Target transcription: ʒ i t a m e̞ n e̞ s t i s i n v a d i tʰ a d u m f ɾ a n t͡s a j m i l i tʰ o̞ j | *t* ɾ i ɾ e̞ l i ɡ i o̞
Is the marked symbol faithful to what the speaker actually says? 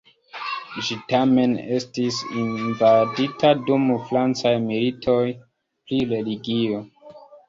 no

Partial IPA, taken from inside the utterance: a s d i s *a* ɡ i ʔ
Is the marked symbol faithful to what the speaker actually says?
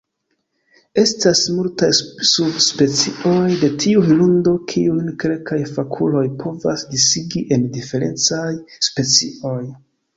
no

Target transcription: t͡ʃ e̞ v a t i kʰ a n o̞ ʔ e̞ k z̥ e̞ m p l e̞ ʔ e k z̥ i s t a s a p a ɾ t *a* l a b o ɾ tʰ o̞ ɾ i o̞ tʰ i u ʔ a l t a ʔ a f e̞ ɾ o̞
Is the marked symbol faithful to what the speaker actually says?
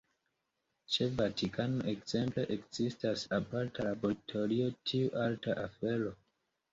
yes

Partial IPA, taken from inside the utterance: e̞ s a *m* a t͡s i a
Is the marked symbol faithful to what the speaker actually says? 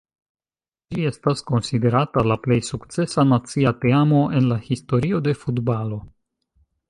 no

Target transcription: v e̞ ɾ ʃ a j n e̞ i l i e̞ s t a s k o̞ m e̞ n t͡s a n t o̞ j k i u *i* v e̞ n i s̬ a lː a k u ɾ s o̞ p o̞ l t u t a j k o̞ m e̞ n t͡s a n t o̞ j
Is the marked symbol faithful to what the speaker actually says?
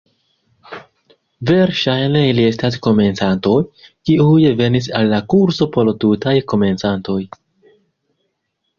no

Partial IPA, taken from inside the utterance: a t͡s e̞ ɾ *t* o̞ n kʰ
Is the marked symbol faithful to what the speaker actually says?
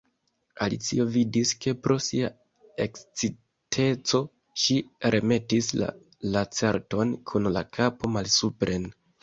yes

